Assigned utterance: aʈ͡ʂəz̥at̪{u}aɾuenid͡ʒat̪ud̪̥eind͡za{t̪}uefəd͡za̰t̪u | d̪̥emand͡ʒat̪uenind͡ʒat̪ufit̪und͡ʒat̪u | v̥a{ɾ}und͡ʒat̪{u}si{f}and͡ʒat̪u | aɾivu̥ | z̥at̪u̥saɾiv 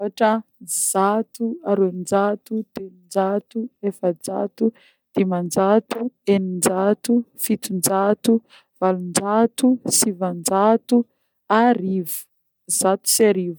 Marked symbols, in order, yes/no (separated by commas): yes, yes, no, yes, no